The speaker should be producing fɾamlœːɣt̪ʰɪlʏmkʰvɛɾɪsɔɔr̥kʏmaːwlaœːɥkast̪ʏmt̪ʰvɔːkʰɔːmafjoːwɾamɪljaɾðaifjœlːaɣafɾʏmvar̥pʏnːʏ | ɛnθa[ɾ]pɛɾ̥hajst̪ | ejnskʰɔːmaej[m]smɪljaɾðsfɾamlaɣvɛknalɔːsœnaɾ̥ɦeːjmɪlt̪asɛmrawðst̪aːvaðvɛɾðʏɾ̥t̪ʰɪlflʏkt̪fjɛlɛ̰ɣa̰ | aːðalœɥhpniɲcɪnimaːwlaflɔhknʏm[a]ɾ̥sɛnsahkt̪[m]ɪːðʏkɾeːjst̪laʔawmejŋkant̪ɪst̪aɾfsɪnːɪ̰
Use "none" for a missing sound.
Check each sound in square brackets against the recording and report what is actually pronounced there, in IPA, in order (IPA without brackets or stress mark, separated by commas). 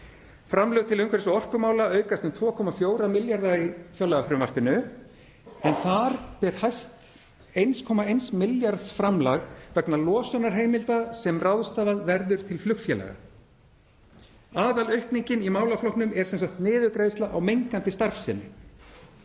ɾ, n, ɛ, n